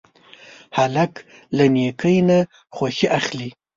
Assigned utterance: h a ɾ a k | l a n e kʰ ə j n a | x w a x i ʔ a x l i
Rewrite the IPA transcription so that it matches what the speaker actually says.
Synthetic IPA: h a l a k | l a n e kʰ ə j n a | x w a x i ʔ a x l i